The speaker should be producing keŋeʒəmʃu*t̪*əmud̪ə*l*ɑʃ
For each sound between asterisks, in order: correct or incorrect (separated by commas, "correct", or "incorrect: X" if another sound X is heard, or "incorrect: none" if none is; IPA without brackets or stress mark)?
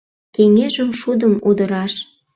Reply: incorrect: d̪, incorrect: ɾ